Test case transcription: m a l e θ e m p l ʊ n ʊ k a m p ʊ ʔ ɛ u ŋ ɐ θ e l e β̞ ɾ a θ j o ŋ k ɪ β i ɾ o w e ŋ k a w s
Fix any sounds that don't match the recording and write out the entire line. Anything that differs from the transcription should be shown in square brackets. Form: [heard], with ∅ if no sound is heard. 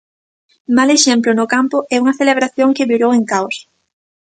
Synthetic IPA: m a l e [ʃ] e m p l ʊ n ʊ k a m p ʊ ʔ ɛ u ŋ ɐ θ e l e β̞ ɾ a θ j o ŋ k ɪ β i ɾ o w e ŋ k a w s